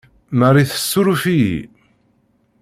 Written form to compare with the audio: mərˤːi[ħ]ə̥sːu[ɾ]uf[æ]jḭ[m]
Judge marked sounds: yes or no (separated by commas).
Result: no, yes, no, no